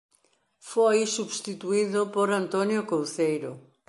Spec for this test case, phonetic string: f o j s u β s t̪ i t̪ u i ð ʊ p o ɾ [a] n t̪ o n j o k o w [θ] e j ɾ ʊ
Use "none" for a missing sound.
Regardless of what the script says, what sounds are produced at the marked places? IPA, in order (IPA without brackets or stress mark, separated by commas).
a, θ